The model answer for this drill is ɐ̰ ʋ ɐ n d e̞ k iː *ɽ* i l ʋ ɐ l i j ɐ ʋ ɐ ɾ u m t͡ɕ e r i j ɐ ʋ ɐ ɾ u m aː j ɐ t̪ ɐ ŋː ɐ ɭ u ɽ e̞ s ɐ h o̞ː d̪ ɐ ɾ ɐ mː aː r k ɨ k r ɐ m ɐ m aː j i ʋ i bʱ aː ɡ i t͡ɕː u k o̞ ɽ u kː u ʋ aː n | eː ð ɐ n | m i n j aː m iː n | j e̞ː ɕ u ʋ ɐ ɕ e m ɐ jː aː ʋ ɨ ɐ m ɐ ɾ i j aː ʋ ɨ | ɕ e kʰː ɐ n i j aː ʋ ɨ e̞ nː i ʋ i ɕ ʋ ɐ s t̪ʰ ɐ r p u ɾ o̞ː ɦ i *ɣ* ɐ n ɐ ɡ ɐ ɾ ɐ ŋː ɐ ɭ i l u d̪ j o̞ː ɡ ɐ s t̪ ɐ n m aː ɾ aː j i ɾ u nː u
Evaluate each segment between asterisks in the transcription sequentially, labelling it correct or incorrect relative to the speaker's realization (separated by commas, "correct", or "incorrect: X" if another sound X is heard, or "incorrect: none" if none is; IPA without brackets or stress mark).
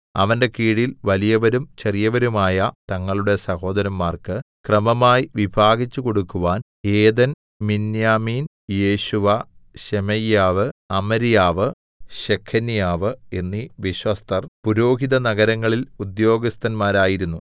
correct, incorrect: ð